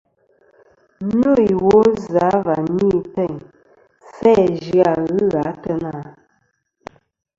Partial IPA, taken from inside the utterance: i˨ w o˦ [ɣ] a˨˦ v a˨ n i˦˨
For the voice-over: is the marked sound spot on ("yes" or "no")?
no